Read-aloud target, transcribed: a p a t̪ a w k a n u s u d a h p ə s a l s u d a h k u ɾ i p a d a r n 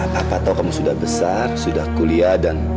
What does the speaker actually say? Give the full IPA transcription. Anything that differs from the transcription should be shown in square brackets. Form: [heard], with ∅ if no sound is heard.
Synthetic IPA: a p a t̪ a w k a [m] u s u d a h [b] ə s a [r] s u d a h k u [l] i [∅] a d a [∅] n